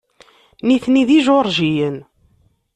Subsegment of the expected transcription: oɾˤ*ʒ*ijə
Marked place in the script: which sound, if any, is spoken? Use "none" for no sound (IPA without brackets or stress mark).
ʒ